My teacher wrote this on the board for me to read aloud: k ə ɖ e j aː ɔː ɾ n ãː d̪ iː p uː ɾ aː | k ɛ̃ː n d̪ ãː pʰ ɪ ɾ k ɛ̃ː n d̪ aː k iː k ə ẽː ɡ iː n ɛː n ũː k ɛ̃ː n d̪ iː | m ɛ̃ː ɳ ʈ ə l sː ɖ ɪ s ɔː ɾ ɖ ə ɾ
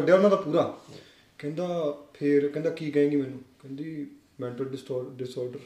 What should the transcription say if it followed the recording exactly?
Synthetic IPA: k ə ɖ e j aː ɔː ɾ n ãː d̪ aː p uː ɾ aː | k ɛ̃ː n d̪ aː pʰ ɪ ɾ k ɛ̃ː n d̪ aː k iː k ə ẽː ɡ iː m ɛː n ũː k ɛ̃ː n d̪ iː | m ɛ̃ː ɳ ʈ ə l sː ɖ ɪ s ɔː ɾ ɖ ə ɾ